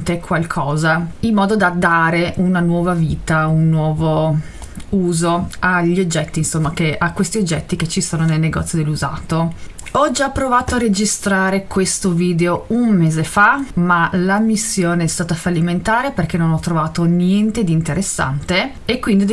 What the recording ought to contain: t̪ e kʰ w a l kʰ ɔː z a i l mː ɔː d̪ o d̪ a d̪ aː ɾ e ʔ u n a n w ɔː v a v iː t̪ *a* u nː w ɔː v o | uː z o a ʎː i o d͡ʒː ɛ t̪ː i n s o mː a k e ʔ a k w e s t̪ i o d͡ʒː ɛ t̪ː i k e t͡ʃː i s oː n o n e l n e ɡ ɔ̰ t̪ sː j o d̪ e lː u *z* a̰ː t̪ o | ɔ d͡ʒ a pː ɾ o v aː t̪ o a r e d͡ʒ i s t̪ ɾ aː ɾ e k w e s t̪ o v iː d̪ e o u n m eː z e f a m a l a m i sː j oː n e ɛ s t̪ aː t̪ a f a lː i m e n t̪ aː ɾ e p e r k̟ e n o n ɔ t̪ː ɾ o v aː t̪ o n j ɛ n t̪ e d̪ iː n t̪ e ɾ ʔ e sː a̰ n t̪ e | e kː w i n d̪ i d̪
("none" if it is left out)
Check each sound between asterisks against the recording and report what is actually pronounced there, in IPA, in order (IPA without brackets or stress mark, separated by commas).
a, z